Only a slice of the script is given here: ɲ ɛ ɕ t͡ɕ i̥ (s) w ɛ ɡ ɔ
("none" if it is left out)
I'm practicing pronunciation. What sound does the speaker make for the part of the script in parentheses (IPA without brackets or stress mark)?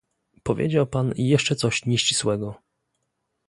s